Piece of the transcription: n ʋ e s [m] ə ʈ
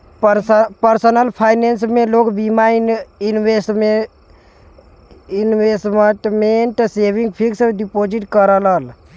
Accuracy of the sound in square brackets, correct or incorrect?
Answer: correct